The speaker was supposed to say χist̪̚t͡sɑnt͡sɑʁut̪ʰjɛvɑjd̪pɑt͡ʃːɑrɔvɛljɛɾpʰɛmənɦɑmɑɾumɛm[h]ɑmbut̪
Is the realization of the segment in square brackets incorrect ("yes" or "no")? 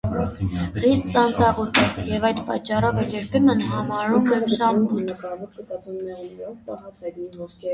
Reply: yes